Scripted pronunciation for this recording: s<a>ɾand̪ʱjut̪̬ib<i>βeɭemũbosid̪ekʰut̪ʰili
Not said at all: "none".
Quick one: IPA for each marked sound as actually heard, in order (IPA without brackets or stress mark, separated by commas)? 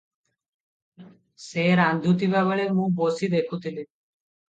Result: e, a